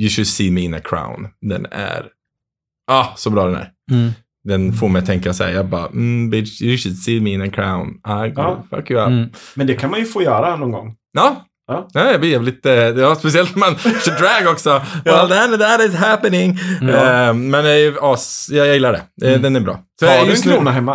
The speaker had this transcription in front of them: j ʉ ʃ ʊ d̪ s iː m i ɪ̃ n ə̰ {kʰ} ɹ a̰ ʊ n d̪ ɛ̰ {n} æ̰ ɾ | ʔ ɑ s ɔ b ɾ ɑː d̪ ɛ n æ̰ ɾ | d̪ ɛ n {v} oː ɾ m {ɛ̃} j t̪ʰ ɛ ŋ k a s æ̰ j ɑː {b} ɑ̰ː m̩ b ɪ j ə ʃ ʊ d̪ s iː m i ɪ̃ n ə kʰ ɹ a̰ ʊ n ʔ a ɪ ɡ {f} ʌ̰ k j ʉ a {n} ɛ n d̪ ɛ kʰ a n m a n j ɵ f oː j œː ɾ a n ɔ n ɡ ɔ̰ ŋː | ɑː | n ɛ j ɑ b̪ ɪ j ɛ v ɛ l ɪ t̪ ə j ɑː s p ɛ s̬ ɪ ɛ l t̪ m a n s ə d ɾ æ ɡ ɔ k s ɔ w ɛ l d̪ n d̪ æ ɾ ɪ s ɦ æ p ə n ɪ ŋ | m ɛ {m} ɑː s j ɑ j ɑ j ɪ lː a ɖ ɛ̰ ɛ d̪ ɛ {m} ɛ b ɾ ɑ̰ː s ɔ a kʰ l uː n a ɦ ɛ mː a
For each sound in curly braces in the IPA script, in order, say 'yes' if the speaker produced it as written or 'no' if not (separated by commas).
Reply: yes, yes, no, no, yes, yes, no, no, no